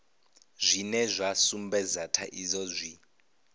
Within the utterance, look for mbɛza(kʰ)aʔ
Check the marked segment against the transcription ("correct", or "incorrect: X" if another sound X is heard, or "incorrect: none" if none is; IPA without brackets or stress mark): incorrect: tʰ